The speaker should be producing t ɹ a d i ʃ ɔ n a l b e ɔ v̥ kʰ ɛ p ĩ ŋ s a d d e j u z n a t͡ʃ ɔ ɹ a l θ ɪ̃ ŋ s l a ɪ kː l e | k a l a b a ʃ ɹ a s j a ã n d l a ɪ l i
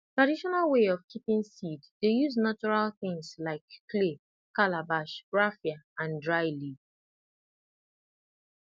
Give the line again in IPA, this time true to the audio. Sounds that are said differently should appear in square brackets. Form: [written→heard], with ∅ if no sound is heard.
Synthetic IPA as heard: t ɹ a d i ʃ ɔ n a l [b→w] e ɔ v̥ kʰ [ɛ→i] p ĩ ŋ s [a→i] d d e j u z n a t͡ʃ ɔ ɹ a l θ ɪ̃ ŋ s l a ɪ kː l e | k a l a b a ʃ ɹ a [s→f] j a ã n d [l→ɹ] a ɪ l i